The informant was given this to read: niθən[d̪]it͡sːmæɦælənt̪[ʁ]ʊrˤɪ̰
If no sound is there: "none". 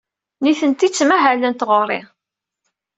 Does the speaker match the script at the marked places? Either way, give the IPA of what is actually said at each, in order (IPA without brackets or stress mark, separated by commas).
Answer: t̪, ʁ